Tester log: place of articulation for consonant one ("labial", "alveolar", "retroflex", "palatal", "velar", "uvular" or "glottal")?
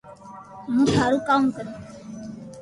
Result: labial